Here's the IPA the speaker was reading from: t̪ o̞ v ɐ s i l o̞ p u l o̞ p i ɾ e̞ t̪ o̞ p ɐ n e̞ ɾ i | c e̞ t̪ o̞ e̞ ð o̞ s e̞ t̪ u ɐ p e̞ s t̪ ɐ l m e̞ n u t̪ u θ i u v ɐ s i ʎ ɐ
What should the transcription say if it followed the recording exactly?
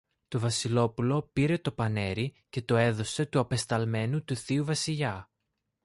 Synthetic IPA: t̪ o̞ v ɐ s i l o̞ p u l o̞ p i ɾ e̞ t̪ o̞ p ɐ n e̞ ɾ i | c e̞ t̪ o̞ e̞ ð o̞ s e̞ t̪ u ɐ p e̞ s t̪ ɐ l m e̞ n u t̪ u θ i u v ɐ s i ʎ ɐ